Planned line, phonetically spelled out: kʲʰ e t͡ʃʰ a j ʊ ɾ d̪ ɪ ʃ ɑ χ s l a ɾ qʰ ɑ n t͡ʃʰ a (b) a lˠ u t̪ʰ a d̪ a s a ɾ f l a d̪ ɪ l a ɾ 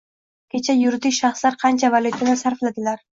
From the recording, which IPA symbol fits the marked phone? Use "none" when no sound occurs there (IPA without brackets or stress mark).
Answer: v